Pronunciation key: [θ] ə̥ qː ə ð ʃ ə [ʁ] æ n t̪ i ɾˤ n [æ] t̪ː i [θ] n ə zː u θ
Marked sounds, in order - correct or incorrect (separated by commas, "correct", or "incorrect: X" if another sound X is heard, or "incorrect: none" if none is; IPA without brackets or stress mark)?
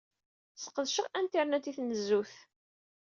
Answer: incorrect: s, correct, correct, correct